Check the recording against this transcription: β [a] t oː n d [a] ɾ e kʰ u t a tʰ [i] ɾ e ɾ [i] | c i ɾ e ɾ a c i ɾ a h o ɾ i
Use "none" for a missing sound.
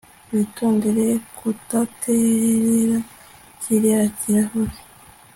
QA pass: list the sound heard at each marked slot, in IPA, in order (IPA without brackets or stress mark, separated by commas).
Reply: i, e, e, a